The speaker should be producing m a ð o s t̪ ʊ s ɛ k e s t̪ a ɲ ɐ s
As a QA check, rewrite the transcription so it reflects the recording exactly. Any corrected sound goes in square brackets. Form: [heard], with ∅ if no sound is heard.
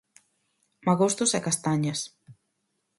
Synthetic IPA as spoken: m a [ɣ] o s t̪ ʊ s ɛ k [a] s t̪ a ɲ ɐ s